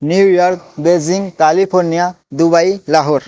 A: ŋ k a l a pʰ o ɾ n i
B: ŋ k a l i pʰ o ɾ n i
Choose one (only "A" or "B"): B